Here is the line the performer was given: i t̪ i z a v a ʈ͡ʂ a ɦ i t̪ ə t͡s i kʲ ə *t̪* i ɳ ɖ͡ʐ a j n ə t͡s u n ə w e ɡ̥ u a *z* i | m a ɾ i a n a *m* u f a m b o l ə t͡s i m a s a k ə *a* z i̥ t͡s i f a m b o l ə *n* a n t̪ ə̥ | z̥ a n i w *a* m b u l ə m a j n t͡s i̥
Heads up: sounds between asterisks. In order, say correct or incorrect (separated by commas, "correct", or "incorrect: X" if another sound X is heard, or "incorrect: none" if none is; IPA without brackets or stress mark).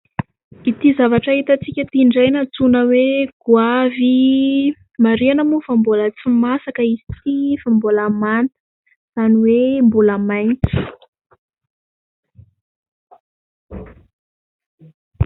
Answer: correct, incorrect: v, correct, incorrect: i, incorrect: m, incorrect: e